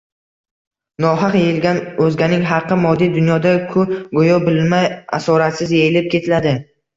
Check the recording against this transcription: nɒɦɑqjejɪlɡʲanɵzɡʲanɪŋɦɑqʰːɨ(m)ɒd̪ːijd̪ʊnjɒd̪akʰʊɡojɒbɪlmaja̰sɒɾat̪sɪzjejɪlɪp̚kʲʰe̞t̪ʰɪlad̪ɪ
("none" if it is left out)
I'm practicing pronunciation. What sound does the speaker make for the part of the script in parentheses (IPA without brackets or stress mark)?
m